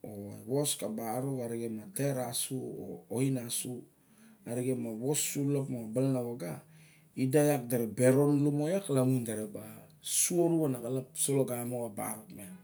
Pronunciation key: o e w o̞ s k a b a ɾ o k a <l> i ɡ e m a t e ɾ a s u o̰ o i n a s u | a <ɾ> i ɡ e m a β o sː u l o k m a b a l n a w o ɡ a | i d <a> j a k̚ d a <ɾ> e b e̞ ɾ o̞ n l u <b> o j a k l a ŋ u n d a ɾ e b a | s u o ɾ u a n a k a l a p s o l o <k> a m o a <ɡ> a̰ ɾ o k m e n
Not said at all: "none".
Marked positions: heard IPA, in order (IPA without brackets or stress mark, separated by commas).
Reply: ɾ, ɾ, a, ɾ, m, ɡ, b